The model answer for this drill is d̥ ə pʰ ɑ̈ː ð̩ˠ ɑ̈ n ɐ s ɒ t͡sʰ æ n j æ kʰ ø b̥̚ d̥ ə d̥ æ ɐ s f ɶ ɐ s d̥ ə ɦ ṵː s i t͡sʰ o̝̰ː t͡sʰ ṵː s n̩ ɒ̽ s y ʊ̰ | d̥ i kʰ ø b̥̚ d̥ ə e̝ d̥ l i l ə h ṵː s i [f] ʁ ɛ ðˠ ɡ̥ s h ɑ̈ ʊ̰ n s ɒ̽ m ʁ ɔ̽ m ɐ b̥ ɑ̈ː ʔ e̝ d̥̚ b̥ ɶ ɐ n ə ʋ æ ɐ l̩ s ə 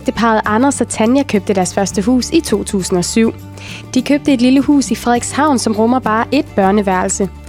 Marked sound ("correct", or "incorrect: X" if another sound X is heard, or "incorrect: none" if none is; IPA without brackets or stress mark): correct